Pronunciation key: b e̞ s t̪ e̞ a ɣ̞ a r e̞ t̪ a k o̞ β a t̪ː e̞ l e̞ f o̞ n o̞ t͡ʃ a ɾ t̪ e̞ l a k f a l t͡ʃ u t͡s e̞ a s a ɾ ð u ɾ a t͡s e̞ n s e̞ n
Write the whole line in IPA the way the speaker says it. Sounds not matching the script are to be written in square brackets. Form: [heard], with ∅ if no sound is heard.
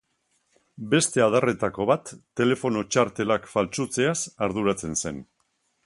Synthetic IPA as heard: b e̞ s t̪ e̞ a [ð̞] a r e̞ t̪ a k o̞ β a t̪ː e̞ l e̞ f o̞ n o̞ t͡ʃ a ɾ t̪ e̞ l a k f a l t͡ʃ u t͡s e̞ a s a ɾ ð u ɾ a t͡s e̞ n s e̞ n